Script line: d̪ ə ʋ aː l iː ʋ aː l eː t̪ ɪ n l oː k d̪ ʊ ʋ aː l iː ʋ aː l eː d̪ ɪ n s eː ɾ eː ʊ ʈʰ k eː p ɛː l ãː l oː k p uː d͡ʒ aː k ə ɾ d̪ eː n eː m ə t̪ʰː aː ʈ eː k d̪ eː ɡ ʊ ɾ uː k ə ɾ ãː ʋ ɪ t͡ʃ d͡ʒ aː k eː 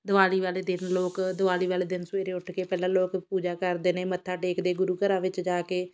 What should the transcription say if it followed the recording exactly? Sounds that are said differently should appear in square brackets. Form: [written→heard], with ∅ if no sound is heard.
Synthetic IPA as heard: d̪ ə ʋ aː l iː ʋ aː l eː [t̪→d̪] ɪ n l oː k d̪ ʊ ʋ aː l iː ʋ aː l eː d̪ ɪ n s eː ɾ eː ʊ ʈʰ k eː p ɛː l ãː l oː k p uː d͡ʒ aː k ə ɾ d̪ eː n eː m ə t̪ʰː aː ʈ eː k d̪ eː ɡ ʊ ɾ uː k ə ɾ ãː ʋ ɪ t͡ʃ d͡ʒ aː k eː